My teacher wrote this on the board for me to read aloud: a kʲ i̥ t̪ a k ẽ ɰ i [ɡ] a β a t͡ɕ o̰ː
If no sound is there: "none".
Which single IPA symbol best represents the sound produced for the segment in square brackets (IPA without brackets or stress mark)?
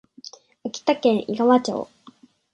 ɡ